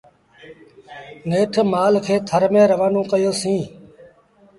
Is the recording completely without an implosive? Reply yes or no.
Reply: yes